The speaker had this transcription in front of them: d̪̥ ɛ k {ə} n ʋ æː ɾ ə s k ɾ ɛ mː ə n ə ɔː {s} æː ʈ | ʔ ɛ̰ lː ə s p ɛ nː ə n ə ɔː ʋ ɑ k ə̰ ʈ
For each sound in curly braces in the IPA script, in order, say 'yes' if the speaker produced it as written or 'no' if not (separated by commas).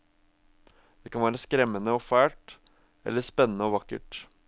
no, no